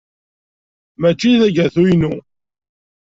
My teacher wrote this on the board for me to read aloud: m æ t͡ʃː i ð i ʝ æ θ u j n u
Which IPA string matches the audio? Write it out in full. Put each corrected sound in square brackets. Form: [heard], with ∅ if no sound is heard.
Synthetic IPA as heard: m æ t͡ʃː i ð [æ] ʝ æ θ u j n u